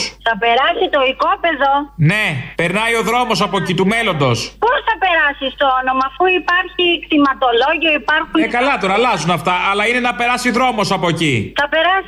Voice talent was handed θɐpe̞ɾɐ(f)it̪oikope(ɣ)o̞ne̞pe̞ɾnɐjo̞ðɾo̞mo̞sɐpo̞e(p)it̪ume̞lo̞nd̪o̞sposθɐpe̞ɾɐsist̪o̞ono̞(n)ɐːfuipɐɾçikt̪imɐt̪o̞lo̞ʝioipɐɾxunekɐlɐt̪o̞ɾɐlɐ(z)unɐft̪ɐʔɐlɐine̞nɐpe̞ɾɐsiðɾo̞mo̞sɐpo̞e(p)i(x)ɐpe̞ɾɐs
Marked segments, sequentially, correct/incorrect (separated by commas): incorrect, incorrect, incorrect, incorrect, correct, incorrect, incorrect